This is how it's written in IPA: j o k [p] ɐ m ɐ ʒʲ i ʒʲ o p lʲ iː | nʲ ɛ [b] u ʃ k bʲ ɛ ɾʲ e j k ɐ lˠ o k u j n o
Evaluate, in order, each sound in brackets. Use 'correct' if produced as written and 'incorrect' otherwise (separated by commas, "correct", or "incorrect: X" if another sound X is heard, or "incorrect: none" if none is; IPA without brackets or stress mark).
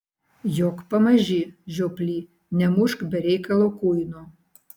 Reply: correct, incorrect: m